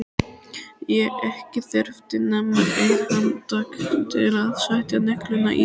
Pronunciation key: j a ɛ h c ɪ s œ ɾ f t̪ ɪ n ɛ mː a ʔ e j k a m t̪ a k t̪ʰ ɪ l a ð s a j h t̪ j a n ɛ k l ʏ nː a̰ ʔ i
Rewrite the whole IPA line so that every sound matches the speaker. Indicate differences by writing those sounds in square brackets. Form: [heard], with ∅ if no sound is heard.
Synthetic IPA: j [ɛ] ɛ h c ɪ [θ] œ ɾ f t̪ ɪ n ɛ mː a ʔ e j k a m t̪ a k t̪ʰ ɪ l a ð s a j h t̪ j a n ɛ k l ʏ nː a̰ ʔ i